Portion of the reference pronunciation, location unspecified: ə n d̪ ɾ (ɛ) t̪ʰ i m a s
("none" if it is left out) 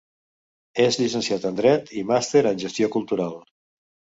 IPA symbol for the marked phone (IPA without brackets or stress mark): ɛ